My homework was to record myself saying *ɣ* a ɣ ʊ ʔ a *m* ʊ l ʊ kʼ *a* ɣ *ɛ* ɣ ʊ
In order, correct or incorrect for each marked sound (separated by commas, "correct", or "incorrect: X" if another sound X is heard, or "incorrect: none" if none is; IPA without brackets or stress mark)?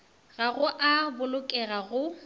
correct, incorrect: b, incorrect: ɛ, incorrect: a